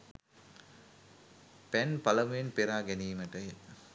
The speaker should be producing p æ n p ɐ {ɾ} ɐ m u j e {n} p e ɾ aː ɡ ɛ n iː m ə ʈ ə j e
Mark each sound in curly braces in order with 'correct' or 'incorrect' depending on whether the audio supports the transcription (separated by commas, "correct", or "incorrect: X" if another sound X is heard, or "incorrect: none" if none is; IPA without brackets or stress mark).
incorrect: l, correct